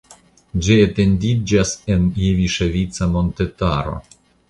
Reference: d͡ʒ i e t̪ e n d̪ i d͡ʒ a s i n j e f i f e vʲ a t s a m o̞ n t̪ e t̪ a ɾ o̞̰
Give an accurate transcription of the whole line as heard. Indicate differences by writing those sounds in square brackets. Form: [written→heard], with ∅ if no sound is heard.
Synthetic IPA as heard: d͡ʒ i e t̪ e n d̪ i d͡ʒ a s [i→e] n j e [f→v] i [f→ʃ] e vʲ [a→i] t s a m o̞ n t̪ e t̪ a ɾ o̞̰